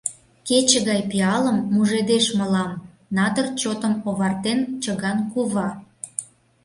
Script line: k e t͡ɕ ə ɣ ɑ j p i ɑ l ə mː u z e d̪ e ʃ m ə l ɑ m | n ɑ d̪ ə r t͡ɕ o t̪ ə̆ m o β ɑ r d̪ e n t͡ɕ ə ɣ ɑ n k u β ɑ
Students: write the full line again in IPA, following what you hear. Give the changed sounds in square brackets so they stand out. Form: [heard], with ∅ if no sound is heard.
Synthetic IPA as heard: k e t͡ɕ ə ɣ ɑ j p i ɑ l ə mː u [ʒ] e d̪ e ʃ m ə l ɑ m | n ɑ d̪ ə r t͡ɕ o t̪ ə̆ m o β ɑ r [t̪] e n t͡ɕ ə ɣ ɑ n k u β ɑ